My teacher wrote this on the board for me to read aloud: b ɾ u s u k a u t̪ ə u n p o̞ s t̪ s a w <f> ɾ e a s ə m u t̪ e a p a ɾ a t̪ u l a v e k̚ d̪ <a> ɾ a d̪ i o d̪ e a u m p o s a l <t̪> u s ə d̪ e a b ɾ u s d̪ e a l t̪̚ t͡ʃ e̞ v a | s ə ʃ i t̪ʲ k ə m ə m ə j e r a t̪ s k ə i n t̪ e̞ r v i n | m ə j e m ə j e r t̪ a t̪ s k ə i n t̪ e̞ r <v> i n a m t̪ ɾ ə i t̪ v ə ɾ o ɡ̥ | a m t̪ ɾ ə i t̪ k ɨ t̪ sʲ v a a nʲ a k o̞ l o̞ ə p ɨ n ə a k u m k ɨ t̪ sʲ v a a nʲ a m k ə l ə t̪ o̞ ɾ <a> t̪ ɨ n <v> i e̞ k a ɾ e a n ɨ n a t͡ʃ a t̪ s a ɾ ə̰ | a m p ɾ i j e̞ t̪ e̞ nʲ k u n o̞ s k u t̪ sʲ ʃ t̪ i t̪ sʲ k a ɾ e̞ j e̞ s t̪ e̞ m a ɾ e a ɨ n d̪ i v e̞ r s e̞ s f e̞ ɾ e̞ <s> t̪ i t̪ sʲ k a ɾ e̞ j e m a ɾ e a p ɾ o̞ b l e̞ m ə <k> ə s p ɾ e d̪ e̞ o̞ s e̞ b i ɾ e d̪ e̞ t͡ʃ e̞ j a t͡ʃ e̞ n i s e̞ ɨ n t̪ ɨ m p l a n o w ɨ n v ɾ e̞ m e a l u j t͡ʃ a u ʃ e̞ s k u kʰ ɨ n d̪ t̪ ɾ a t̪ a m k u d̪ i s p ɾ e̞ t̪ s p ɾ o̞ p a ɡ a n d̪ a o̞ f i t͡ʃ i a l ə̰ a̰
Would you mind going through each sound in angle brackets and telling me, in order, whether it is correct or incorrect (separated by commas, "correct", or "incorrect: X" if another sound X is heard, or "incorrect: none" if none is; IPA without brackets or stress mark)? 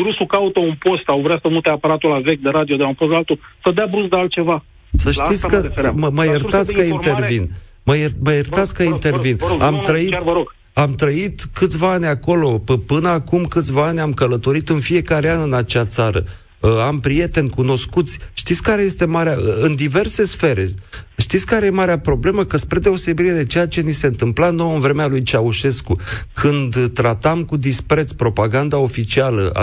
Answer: incorrect: v, incorrect: e, correct, correct, incorrect: i, incorrect: f, incorrect: ʃ, correct